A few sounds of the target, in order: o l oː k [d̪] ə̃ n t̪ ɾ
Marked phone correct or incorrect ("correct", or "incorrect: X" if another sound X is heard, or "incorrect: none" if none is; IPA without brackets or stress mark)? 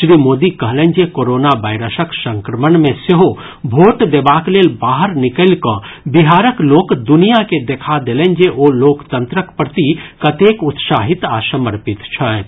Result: incorrect: t̪